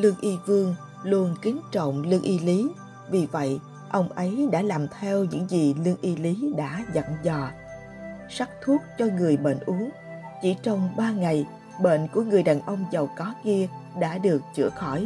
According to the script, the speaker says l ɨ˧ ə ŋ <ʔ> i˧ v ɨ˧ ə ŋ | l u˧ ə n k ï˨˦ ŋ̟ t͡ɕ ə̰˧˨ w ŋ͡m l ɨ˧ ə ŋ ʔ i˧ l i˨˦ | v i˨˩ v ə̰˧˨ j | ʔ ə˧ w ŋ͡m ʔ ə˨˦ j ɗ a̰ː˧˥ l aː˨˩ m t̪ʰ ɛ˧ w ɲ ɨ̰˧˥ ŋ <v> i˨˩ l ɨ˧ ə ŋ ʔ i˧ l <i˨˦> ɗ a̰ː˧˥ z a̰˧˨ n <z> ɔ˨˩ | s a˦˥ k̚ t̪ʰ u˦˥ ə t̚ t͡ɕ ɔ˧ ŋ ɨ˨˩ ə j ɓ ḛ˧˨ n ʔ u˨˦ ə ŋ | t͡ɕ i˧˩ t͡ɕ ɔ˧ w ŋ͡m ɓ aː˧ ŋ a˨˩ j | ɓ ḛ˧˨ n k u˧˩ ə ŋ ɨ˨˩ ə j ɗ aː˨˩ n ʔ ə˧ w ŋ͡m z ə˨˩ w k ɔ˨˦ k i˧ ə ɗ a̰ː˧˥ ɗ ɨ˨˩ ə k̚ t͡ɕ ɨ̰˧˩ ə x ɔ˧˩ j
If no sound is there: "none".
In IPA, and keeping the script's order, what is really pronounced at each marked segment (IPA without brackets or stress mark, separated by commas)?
ʔ, z, i˨˦, z